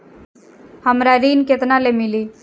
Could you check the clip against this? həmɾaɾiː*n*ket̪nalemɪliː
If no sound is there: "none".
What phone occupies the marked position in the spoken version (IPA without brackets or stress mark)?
n